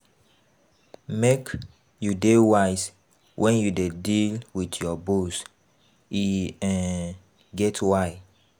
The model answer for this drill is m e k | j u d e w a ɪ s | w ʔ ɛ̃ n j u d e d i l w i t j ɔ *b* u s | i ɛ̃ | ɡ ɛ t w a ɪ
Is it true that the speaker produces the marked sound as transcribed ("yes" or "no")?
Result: yes